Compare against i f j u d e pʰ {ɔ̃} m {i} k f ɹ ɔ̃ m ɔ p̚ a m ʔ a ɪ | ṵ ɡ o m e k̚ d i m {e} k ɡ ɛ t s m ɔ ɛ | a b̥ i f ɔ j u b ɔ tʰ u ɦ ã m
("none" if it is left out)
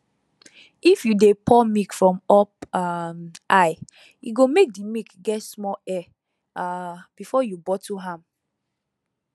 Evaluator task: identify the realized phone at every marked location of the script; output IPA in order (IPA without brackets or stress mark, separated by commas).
ɔ, i, i